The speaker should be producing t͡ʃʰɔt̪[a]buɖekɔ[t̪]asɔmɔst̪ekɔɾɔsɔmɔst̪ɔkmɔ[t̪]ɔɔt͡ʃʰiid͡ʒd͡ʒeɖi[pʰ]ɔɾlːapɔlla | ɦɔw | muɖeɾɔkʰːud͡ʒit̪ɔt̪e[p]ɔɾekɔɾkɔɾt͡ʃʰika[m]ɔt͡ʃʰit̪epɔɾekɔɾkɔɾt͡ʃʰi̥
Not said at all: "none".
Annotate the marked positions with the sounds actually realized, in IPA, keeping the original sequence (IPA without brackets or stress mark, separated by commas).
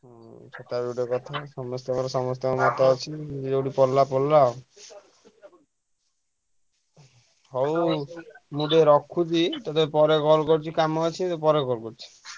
a, t̪ʰ, t̪, p, p, m